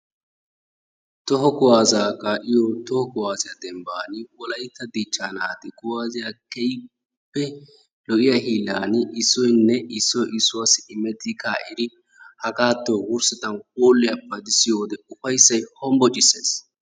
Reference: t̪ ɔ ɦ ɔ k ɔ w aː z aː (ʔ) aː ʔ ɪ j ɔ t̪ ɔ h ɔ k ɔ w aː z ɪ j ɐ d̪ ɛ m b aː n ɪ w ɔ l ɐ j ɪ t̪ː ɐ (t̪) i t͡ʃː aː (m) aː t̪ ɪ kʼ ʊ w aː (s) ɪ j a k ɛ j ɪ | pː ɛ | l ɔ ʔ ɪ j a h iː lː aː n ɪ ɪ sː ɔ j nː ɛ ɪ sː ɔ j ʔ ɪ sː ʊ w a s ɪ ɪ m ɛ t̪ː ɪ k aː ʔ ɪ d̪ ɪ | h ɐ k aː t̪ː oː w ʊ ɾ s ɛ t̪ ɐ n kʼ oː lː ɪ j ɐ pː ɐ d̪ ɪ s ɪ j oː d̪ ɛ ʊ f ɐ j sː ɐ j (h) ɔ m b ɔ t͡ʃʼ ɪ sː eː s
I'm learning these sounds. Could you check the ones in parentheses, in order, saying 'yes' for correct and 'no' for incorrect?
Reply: no, no, no, no, yes

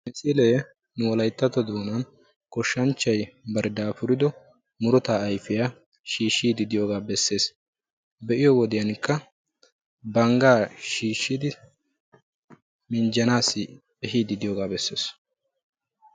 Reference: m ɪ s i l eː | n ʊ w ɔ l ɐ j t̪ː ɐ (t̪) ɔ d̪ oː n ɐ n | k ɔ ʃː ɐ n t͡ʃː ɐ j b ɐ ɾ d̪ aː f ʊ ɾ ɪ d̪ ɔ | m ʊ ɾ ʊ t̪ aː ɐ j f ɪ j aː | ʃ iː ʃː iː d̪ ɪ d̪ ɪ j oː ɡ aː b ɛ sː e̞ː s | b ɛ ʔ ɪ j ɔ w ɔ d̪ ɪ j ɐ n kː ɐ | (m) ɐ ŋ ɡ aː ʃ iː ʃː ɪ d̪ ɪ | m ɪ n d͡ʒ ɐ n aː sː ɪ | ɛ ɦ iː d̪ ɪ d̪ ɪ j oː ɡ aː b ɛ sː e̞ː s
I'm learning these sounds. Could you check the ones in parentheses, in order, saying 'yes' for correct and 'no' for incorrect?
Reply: yes, no

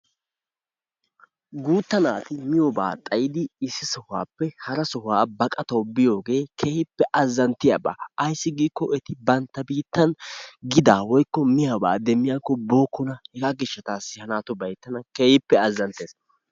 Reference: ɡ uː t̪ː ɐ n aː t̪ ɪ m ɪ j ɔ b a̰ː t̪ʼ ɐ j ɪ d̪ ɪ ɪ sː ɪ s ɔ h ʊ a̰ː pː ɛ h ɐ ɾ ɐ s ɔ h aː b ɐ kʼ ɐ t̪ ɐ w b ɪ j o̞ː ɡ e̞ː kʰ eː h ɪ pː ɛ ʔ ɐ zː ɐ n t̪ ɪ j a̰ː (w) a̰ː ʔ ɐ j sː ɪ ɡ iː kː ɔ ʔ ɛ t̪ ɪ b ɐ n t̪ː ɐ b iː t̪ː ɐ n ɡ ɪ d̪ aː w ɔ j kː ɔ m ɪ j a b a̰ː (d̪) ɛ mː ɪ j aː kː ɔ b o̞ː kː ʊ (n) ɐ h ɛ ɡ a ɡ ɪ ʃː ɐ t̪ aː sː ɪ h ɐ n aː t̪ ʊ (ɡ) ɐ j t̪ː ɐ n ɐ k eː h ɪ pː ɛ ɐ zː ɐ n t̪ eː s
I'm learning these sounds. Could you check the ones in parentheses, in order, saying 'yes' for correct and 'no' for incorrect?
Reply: no, yes, yes, no

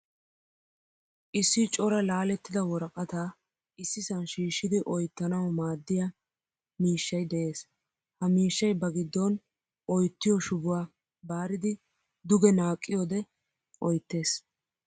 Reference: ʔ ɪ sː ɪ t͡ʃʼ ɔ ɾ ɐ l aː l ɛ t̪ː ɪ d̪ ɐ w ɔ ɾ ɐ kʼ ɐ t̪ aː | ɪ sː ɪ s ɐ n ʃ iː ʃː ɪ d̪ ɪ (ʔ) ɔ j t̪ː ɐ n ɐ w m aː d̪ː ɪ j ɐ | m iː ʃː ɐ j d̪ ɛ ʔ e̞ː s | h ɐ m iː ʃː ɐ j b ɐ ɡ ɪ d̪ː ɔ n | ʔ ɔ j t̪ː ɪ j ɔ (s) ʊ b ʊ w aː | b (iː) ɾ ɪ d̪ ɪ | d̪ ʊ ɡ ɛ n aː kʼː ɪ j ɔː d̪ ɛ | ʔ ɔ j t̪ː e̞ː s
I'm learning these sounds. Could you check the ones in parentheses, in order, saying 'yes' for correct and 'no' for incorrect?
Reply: yes, no, no

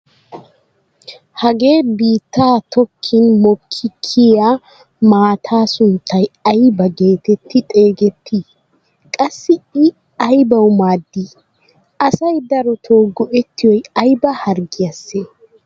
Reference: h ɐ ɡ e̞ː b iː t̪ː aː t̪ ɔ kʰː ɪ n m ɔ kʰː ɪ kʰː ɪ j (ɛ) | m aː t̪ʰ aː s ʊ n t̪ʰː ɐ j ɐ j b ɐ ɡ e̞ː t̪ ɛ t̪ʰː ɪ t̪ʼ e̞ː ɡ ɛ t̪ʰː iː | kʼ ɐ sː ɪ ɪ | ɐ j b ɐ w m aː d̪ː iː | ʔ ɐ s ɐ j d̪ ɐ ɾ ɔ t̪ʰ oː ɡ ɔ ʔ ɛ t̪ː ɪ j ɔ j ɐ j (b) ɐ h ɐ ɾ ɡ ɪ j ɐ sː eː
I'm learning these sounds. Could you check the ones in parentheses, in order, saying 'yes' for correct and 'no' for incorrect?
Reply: no, yes

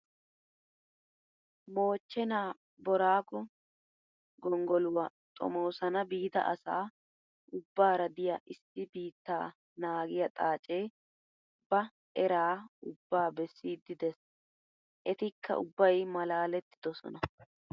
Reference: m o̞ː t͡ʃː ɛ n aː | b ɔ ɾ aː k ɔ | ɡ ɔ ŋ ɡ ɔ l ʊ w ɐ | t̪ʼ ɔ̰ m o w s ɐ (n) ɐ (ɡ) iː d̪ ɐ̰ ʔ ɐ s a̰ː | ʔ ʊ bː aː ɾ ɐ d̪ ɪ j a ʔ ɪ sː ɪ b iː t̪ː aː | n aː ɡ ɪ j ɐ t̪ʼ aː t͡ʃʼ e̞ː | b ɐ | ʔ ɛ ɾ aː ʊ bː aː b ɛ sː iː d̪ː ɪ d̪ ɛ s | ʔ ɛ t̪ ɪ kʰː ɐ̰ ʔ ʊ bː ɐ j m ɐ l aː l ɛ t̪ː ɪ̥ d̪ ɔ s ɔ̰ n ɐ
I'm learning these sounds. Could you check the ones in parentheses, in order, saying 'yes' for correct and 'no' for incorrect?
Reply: yes, no

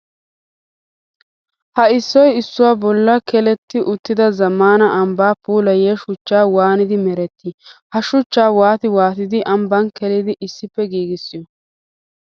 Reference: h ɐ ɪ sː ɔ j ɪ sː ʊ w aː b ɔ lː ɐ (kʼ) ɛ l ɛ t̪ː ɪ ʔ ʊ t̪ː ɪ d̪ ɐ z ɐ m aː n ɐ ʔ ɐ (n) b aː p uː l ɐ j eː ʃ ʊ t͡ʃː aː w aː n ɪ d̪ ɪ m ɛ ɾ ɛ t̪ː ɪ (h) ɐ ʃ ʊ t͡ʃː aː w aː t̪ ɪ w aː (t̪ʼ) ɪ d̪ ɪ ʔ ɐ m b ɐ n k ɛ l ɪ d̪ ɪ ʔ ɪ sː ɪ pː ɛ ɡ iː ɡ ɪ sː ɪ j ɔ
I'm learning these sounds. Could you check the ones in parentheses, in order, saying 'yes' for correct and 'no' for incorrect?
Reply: no, no, yes, no

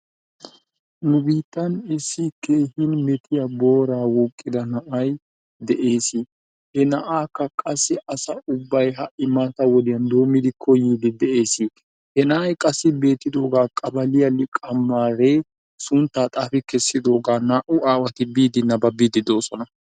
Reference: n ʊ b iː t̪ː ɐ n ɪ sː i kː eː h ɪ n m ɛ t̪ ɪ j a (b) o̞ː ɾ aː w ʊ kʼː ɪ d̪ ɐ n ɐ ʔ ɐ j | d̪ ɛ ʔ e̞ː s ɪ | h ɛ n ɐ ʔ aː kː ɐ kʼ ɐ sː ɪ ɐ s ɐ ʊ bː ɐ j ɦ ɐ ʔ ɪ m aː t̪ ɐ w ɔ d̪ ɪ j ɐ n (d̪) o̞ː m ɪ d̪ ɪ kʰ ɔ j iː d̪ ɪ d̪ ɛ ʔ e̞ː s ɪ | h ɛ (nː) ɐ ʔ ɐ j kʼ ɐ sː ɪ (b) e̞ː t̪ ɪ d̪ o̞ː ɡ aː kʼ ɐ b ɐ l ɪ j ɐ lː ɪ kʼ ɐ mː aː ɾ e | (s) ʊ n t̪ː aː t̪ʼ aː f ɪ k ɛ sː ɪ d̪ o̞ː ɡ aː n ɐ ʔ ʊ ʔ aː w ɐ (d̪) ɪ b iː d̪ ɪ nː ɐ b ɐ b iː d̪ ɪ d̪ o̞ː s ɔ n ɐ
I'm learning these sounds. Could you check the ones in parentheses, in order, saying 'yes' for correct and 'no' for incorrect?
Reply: yes, yes, no, yes, yes, no

